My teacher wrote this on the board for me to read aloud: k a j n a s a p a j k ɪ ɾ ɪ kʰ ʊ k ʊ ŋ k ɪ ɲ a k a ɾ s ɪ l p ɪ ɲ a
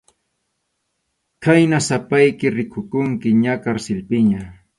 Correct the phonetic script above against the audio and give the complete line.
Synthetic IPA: k a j n a s a p a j k ɪ ɾ ɪ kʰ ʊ k ʊ ŋ k ɪ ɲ a k a ɾ s ɪ l p ɪ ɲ a